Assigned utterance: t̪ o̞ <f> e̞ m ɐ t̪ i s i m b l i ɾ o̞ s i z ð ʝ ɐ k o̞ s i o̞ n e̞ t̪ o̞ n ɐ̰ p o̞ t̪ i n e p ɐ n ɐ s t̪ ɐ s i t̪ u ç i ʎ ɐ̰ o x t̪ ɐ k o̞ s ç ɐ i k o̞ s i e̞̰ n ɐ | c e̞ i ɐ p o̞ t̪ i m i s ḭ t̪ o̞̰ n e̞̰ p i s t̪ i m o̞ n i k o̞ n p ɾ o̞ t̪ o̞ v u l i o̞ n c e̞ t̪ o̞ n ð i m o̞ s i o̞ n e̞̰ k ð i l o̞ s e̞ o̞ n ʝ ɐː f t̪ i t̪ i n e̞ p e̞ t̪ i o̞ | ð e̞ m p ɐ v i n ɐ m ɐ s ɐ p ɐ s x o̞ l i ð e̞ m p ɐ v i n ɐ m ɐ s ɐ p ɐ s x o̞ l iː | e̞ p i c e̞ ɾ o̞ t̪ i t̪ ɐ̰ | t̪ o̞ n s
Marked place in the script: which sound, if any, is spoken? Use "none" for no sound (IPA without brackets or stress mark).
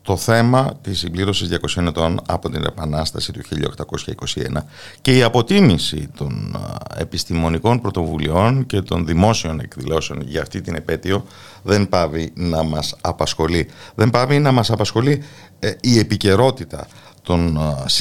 θ